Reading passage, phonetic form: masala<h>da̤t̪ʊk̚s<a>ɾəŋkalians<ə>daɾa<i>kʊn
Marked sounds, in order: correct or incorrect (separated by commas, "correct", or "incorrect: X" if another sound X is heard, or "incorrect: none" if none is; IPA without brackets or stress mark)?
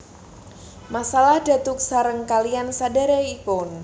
correct, correct, incorrect: a, correct